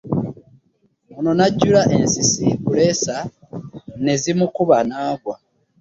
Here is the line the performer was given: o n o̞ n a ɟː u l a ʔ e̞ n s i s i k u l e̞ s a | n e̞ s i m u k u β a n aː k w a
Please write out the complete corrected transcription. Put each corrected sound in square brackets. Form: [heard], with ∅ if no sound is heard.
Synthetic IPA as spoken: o n o̞ n a ɟː u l a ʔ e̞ n s i s i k u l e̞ s a | n e̞ [z] i m u k u β a n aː [ɡ] w a

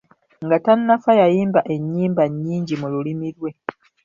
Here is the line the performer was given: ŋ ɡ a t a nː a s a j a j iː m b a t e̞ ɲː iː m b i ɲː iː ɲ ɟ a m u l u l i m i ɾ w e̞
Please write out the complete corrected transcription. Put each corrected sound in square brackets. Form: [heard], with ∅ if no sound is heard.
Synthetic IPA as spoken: ŋ ɡ a t a nː a [f] a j a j iː m b a [ʔ] e̞ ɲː iː m b [a] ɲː iː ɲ ɟ [i] m u l u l i m i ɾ w e̞

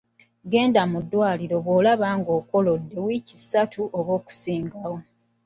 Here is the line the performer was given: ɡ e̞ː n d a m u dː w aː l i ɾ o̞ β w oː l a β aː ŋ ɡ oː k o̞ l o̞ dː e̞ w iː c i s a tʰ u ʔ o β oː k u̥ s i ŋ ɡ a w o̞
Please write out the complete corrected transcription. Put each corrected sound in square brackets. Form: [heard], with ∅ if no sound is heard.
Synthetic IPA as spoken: ɡ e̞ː n d a m u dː w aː l i ɾ o̞ β w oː l a β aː ŋ ɡ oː k o̞ l o̞ dː e̞ w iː c i s a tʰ u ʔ o β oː k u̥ s [iː] ŋ ɡ a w o̞

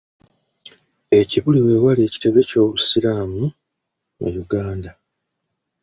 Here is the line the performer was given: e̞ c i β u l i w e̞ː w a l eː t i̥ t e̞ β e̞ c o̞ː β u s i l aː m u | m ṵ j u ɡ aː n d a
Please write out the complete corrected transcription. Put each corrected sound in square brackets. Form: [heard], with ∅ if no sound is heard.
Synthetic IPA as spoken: e̞ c i β u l i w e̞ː w a l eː [c] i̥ t e̞ β e̞ c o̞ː β u s i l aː m u | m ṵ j u ɡ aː n d a

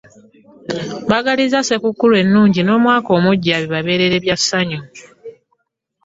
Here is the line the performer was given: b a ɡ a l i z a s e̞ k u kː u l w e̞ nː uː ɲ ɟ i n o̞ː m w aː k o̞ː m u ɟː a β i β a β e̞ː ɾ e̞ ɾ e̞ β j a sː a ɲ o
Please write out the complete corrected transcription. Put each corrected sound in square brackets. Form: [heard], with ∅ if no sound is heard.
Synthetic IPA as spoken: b a ɡ a l i z a s e̞ k u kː u l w e̞ nː uː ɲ ɟ i n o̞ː m w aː k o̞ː m u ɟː a β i β a β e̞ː ɾ e̞ ɾ e̞ β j a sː a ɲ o

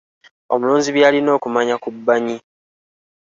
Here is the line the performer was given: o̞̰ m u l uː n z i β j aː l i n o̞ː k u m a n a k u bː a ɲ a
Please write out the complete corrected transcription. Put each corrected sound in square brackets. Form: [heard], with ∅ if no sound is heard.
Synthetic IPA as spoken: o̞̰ m u l uː n z i β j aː l i n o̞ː k u m a [ɲ] a k u bː a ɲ [i]

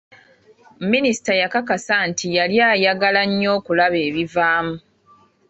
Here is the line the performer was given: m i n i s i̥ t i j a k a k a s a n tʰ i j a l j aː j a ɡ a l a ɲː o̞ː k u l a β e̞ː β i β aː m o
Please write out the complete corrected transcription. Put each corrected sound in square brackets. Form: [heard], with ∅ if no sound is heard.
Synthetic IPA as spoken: m i n i s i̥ t [a] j a k a k a s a n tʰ i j a l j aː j a ɡ a l a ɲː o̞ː k u l a β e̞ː β i [v] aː m [u]

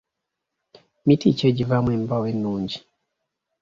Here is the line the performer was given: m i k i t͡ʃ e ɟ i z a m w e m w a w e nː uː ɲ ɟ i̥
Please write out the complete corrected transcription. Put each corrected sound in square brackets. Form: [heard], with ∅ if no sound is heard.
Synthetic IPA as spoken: m i [t] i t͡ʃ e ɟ i [v] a m w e m [b] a w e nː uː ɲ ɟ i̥

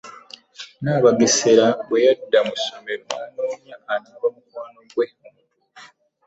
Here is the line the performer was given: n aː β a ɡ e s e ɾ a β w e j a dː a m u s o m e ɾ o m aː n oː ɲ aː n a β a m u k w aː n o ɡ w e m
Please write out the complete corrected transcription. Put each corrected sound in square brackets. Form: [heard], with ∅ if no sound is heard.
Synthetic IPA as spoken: n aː β a ɡ e s e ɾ a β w e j a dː a m u s o m e ɾ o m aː n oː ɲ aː n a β a m u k w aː n o ɡ w e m

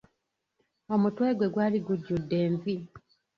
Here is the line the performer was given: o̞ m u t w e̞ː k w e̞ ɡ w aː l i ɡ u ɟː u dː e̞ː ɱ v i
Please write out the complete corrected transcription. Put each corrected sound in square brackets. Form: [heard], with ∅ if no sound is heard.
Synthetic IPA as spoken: o̞ m u t w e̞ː [ɡ] w e̞ ɡ w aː l i ɡ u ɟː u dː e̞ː ɱ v i

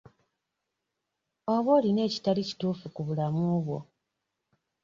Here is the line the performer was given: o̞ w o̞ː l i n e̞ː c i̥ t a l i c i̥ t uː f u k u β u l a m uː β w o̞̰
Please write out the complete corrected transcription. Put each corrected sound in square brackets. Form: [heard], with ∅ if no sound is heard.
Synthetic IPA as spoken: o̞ [β] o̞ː l i n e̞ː c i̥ t a l i c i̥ t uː f u k u β u l a m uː β w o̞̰

